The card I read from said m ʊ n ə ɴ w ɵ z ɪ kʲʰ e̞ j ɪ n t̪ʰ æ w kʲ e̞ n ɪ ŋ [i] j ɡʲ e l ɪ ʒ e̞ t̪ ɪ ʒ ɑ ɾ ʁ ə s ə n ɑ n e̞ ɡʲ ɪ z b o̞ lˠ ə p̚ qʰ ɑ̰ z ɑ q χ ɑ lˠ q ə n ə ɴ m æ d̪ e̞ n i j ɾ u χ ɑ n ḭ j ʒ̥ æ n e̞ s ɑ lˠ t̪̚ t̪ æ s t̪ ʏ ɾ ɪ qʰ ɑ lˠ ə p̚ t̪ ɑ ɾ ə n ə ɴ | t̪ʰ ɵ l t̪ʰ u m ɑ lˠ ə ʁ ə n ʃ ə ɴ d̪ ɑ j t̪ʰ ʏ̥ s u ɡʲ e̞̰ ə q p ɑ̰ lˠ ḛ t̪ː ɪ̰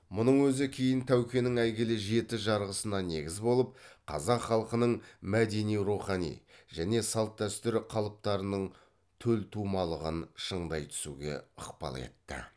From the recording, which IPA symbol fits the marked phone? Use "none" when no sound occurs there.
æ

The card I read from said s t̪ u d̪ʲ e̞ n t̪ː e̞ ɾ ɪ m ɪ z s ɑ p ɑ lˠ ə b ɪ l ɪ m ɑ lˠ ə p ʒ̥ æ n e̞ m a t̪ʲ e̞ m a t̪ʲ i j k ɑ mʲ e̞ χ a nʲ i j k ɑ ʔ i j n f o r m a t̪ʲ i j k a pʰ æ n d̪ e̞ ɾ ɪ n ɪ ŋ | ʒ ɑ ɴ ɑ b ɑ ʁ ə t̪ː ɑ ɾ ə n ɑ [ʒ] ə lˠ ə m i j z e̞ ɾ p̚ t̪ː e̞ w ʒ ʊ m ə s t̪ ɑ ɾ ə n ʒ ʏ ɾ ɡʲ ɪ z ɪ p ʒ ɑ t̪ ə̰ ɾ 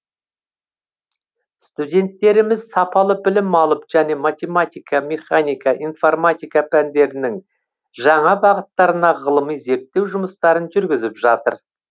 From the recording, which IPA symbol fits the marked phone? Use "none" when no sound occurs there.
ʁ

